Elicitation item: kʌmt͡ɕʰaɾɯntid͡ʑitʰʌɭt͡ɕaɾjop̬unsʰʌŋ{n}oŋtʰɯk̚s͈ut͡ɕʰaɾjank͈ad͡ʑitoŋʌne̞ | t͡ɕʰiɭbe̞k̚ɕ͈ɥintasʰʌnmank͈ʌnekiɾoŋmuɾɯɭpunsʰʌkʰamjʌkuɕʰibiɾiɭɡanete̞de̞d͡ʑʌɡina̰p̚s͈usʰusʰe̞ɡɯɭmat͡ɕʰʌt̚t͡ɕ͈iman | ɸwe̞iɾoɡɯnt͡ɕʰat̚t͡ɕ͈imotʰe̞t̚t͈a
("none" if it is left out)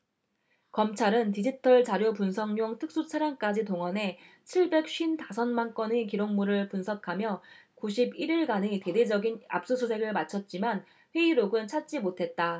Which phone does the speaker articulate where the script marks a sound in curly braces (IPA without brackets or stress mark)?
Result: ɲ